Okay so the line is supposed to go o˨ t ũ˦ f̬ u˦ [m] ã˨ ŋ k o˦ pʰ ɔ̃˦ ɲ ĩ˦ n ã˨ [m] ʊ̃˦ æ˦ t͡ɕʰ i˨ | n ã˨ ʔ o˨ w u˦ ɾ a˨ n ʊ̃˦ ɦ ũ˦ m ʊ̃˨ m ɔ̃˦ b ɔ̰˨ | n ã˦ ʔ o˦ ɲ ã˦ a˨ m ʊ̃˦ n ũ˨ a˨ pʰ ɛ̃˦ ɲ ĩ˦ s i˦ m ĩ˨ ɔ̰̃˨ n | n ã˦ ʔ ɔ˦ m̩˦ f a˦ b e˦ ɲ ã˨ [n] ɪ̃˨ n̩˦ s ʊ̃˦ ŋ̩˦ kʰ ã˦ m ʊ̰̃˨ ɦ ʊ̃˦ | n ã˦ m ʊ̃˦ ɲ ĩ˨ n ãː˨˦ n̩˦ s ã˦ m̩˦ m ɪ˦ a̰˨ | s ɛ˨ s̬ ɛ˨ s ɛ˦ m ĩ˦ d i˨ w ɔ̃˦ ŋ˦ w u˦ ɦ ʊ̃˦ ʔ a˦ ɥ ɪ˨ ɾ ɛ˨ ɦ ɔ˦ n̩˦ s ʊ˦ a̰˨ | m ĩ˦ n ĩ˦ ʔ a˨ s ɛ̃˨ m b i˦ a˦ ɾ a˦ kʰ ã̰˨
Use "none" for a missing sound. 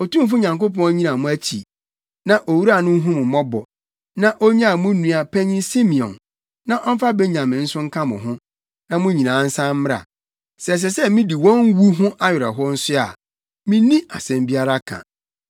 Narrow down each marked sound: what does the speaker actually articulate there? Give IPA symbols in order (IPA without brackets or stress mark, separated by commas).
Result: ɲ, m, m